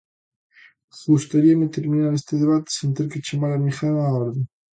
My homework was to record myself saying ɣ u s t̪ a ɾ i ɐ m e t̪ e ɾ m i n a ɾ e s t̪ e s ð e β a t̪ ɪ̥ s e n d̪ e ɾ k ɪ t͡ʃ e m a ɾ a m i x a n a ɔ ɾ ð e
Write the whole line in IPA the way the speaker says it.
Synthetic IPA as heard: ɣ u s t̪ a ɾ i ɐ m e t̪ e ɾ m i n a ɾ e s t̪ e ð e β a t̪ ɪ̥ s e n t̪ e ɾ k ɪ t͡ʃ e m a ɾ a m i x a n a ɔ ɾ ð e